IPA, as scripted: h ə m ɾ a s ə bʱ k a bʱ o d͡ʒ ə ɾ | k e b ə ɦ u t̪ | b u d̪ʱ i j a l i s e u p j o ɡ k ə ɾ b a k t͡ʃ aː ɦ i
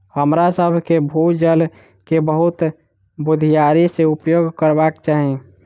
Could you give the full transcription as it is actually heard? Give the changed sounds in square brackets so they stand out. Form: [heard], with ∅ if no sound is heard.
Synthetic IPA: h ə m ɾ a s ə bʱ k [e] bʱ [u] d͡ʒ ə [l] | k e b ə ɦ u t̪ | b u d̪ʱ i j a [ɾ] i s e u p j o ɡ k ə ɾ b a k t͡ʃ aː ɦ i